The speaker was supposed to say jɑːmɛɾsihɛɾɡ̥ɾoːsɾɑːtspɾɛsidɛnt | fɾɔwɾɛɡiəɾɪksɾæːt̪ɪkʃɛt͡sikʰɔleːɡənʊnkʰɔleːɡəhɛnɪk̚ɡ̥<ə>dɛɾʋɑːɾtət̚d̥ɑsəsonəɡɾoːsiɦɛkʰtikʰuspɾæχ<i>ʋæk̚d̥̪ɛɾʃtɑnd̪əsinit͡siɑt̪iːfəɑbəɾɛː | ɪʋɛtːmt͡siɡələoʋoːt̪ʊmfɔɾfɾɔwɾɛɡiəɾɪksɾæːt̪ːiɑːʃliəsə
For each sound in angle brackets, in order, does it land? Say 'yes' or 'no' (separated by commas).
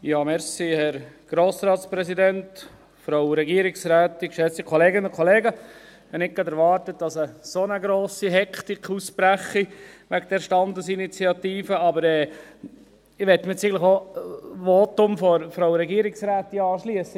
no, yes